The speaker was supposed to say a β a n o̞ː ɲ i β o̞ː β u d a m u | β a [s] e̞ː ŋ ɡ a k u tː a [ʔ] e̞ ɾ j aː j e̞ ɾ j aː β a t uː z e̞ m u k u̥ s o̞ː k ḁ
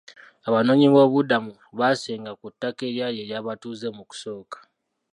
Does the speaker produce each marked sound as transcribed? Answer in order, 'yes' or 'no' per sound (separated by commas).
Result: yes, no